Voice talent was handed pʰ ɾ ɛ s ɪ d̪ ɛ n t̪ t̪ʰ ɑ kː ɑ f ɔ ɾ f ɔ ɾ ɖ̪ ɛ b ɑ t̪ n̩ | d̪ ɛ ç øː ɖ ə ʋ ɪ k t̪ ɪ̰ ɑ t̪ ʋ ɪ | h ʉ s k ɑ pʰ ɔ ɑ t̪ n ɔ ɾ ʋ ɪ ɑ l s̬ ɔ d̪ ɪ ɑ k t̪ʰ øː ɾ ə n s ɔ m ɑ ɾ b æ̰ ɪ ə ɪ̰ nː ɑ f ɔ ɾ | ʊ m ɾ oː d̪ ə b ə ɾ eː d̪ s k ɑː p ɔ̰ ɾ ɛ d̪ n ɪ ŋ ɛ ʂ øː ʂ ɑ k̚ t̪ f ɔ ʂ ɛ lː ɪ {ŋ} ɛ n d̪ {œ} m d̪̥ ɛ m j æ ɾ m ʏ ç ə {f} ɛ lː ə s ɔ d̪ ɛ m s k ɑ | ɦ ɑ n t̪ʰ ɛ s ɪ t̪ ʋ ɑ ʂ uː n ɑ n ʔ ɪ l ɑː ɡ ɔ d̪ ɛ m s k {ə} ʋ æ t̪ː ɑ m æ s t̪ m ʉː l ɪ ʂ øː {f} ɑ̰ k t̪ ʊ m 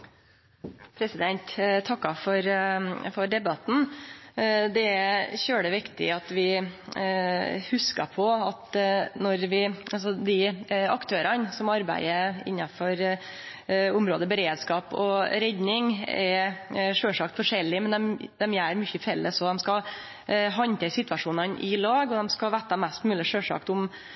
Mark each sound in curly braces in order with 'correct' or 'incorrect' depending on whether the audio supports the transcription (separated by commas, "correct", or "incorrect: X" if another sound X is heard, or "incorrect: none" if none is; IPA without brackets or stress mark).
incorrect: m, incorrect: ɛ, correct, incorrect: ɑ, incorrect: ʂ